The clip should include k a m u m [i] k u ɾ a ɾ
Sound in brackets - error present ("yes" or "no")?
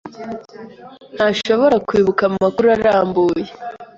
yes